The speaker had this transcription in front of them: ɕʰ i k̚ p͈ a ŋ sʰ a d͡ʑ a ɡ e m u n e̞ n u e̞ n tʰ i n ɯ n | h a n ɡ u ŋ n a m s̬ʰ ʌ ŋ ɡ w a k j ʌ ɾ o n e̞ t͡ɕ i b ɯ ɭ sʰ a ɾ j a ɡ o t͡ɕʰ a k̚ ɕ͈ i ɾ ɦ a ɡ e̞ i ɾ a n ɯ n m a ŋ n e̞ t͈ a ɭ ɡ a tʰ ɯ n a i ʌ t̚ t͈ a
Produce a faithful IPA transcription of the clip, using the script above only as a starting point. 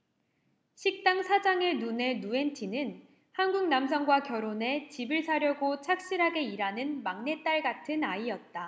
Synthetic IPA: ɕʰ i k̚ t͈ a ŋ sʰ a d͡ʑ a ŋ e n u n e̞ n u e̞ n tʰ i n ɯ n | h a n ɡ u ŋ n a m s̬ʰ ʌ ŋ ɡ w a k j ʌ ɾ o n e̞ t͡ɕ i b ɯ ɭ sʰ a ɾ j ʌ ɡ o t͡ɕʰ a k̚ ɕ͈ i ɾ ɦ a ɡ e̞ i ɾ a n ɯ n m a ŋ n e̞ t͈ a ɭ ɡ a tʰ ɯ n a i ʌ t̚ t͈ a

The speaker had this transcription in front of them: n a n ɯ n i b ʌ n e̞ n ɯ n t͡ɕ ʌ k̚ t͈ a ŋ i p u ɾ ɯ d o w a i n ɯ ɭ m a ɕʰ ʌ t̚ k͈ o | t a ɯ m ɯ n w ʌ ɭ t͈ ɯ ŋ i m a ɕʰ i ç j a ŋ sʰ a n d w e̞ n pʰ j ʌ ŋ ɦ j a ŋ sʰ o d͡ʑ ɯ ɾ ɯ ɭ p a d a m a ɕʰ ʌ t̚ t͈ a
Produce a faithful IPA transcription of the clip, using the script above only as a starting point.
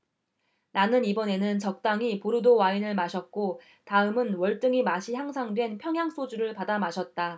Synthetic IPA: n a n ɯ n i b ʌ n e̞ n ɯ n t͡ɕ ʌ k̚ t͈ a ŋ i p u ɾ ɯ d o w a i n ɯ ɭ m a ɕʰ ʌ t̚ k͈ o | t a ɯ m ɯ n w ʌ ɭ t͈ ɯ ŋ i m a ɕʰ i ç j a ŋ sʰ a ŋ d w e̞ n pʰ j ʌ ŋ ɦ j a ŋ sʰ o d͡ʑ u ɾ ɯ ɭ p a d a m a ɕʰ ʌ t̚ t͈ a

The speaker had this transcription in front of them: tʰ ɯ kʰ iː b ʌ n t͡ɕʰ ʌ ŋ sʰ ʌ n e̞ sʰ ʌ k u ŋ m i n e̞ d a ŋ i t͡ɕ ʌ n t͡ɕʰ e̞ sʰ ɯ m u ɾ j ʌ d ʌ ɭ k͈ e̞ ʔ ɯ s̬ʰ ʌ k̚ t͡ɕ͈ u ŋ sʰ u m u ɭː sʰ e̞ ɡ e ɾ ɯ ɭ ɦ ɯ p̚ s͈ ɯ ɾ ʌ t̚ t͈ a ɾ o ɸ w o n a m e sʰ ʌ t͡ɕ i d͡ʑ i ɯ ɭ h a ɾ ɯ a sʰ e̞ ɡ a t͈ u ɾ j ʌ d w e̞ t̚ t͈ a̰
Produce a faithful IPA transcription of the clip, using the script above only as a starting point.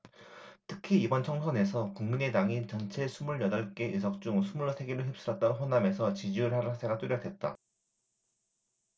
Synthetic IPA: tʰ ɯ kʰ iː b ʌ n t͡ɕʰ ʌ ŋ sʰ ʌ n e̞ sʰ ʌ k u ŋ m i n e̞ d a ŋ i t͡ɕ ʌ n t͡ɕʰ e̞ sʰ u m u ɭ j ʌ d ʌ ɭ k͈ e̞ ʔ ɯ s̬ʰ ʌ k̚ t͡ɕ͈ u ŋ sʰ u m u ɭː sʰ e̞ ɡ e ɾ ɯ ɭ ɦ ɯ p̚ s͈ ɯ ɾ ʌ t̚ t͈ a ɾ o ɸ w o n a m e sʰ ʌ t͡ɕ i d͡ʑ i ɯ ɭ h a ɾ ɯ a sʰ e̞ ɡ a t͈ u ɾ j ʌ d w e̞ t̚ t͈ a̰

